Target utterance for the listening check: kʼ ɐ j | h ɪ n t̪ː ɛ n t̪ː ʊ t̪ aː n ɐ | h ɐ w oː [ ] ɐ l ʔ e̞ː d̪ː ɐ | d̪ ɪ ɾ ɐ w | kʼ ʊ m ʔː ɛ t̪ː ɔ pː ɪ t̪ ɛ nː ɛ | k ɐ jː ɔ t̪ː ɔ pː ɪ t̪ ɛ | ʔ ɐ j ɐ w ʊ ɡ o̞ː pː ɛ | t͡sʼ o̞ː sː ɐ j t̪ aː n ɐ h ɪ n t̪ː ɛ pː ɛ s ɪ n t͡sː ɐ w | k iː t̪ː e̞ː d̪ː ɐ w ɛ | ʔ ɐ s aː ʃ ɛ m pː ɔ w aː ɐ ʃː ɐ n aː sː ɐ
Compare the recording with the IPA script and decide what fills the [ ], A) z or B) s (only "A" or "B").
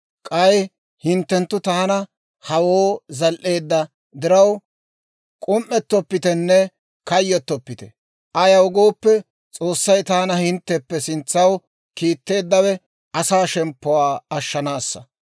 A